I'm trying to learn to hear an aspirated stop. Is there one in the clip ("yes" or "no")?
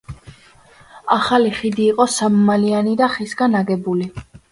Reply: no